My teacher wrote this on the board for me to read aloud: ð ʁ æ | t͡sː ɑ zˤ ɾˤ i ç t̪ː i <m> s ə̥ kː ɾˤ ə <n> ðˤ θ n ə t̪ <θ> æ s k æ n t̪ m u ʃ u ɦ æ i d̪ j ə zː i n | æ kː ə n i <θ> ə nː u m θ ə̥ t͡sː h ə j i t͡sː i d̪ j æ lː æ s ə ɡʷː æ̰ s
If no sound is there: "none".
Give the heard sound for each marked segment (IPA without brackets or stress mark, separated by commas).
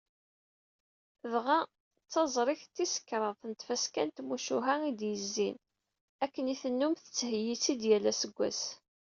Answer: none, none, f, θ